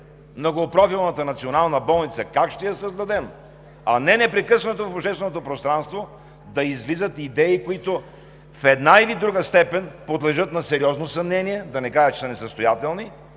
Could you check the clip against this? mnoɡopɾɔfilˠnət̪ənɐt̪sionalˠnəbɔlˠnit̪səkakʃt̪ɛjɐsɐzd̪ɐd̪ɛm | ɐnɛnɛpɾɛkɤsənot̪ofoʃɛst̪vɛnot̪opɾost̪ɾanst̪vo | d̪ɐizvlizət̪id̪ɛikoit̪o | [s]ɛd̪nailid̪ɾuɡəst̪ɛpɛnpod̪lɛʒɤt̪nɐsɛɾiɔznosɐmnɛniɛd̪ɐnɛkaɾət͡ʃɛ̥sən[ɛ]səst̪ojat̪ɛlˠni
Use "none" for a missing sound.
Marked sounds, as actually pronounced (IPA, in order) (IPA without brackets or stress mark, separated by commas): f, ɛ